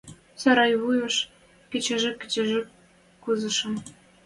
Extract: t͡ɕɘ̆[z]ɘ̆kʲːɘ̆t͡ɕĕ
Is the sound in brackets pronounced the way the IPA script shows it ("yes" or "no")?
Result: no